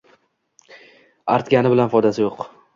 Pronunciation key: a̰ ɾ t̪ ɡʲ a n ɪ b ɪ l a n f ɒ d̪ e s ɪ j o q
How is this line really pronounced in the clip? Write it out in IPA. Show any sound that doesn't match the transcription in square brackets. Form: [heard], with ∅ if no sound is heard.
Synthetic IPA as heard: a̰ ɾ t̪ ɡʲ a n ɪ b ɪ l a n f ɒ d̪ [a] s ɪ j o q